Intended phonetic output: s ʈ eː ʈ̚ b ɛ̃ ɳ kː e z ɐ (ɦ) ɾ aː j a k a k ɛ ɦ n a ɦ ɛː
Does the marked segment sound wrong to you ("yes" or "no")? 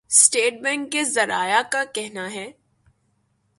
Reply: yes